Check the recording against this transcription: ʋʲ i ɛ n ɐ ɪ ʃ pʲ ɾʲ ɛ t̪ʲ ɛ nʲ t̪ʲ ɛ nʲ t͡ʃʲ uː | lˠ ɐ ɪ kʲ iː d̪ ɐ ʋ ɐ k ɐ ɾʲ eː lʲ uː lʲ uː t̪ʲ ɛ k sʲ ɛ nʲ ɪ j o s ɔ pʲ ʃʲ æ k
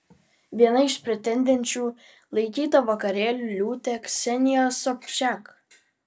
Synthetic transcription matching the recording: ʋʲ i ɛ n ɐ ɪ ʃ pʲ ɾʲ ɛ t̪ʲ ɛ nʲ d̪ʲ ɛ nʲ t͡ʃʲ uː | lˠ ɐ ɪ kʲ iː t̪ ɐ ʋ ɐ k ɐ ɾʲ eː lʲ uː lʲ uː t̪ʲ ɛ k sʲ ɛ nʲ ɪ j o s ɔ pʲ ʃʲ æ k